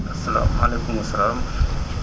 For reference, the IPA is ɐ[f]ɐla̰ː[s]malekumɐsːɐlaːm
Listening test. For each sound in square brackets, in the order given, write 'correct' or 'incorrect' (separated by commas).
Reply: incorrect, incorrect